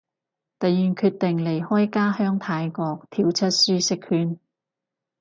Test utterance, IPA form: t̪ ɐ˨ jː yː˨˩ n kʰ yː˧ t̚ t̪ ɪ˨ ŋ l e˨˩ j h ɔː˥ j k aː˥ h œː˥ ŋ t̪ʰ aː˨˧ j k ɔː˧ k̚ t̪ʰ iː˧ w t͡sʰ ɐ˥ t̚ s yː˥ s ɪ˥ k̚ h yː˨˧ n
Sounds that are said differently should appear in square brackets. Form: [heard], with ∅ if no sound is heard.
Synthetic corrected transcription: t̪ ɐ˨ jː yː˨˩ n kʰ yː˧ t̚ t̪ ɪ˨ ŋ l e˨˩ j h ɔː˥ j k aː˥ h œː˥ ŋ t̪ʰ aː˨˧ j k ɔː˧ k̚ t̪ʰ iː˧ w t͡sʰ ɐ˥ t̚ s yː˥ s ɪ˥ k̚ h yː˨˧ n